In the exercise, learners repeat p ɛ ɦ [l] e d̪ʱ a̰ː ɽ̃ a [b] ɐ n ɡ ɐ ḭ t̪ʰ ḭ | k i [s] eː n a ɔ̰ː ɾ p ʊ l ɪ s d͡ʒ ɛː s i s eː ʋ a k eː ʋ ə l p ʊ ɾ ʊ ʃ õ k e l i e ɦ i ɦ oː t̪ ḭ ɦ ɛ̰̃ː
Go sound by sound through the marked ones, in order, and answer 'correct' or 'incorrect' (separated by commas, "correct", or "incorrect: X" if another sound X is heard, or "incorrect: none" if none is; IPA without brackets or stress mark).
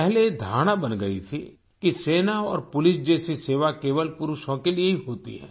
correct, correct, correct